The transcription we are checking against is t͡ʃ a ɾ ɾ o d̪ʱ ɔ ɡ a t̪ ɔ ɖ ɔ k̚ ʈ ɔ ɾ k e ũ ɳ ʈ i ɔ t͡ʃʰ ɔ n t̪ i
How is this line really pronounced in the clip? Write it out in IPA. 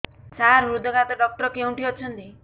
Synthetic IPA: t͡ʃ a ɾ ɾ u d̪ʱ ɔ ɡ a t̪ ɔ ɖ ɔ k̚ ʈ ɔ ɾ k e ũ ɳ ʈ i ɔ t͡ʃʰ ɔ n t̪ i